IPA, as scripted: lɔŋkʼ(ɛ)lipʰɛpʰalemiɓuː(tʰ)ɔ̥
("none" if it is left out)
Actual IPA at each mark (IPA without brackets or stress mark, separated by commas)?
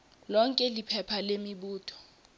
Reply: ɛ, tʰ